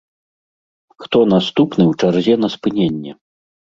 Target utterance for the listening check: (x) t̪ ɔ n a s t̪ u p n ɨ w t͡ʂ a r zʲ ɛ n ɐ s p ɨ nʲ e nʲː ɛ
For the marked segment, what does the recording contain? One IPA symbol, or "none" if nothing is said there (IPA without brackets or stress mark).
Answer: x